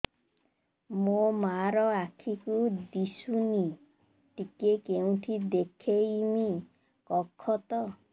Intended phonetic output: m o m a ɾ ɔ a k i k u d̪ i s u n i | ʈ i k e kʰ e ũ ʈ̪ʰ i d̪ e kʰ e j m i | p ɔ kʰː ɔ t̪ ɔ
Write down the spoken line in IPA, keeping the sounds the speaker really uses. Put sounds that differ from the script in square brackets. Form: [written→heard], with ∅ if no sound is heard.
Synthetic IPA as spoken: m o m a ɾ ɔ a [k→kʰ] i k u d̪ i s u n i | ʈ i k e [kʰ→k] e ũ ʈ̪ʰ i d̪ e kʰ e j m i | [p→k] ɔ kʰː ɔ t̪ ɔ